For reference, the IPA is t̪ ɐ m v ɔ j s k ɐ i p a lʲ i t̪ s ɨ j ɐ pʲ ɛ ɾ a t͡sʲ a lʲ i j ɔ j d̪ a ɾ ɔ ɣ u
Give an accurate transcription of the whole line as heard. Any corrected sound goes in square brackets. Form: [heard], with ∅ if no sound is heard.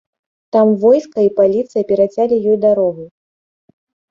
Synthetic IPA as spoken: t̪ [a] m v ɔ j s k ɐ i p a lʲ i t̪ s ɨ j ɐ pʲ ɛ ɾ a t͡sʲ a lʲ i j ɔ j d̪ a ɾ ɔ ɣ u